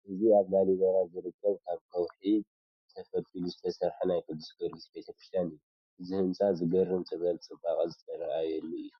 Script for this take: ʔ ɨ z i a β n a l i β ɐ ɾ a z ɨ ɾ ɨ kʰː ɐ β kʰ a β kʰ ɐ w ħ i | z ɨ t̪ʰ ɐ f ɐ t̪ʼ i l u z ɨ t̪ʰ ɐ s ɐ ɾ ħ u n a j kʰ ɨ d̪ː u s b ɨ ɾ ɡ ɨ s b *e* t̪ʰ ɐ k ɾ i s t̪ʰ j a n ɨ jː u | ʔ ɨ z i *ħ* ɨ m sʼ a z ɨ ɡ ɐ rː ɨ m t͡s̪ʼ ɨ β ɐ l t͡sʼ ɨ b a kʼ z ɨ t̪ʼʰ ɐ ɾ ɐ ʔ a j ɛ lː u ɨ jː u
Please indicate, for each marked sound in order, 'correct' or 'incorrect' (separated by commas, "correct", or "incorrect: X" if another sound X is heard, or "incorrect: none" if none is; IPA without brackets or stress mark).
correct, incorrect: h